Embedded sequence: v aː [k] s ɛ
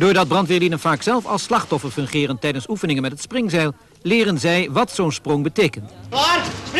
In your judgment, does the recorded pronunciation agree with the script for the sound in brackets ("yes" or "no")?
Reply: yes